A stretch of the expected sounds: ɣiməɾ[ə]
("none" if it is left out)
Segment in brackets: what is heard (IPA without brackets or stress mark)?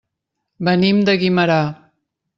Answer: a